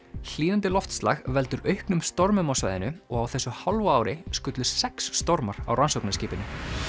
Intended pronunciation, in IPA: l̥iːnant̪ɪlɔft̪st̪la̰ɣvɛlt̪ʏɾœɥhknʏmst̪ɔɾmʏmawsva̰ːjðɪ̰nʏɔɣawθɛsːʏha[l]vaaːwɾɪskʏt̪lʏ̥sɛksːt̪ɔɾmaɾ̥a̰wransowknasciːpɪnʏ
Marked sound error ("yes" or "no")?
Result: no